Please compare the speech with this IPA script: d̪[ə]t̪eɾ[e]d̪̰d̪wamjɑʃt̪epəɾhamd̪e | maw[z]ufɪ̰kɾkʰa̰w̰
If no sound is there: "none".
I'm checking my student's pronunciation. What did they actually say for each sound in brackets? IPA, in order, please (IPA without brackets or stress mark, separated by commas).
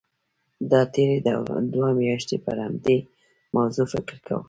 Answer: ɑ, e, z